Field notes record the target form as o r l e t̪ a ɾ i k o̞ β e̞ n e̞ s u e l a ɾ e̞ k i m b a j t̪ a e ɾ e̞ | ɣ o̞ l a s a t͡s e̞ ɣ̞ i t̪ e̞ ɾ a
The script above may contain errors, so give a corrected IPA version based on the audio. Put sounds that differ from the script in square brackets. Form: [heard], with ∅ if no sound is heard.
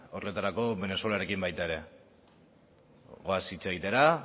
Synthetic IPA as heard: o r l e t̪ a ɾ [a] k o̞ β e̞ n e̞ s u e l a ɾ e̞ k i m b a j t̪ a e ɾ e̞ | ɣ o̞ [∅] a s [i] t͡s e̞ ɣ̞ i t̪ e̞ ɾ a